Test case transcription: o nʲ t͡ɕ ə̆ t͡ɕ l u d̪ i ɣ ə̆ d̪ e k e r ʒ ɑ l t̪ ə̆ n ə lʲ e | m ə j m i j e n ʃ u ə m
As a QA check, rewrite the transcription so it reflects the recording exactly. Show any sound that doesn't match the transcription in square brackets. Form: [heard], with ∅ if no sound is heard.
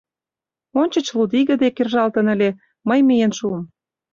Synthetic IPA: o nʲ t͡ɕ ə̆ t͡ɕ l u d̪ i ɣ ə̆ d̪ e k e r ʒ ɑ l t̪ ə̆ n ə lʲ e | m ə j m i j e n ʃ u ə m